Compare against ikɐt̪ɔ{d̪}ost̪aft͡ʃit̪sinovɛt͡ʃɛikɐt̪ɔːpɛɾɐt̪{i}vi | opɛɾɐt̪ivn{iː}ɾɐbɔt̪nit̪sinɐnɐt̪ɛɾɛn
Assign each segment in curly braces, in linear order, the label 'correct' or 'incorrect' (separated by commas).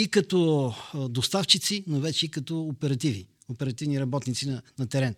correct, correct, incorrect